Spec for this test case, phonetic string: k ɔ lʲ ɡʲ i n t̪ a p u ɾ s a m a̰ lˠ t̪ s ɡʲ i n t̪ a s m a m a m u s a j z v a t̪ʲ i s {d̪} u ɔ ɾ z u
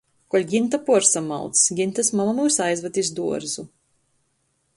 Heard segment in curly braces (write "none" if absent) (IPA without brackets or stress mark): d̪